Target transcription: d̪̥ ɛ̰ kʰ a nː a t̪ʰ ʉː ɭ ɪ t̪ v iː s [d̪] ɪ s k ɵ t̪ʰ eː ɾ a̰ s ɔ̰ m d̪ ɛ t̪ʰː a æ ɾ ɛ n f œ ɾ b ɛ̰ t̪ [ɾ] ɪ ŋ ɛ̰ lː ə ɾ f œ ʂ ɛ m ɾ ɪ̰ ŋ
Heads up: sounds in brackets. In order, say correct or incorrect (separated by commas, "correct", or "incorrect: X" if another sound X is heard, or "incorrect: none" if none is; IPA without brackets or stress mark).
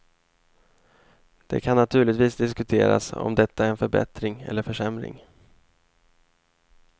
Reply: correct, correct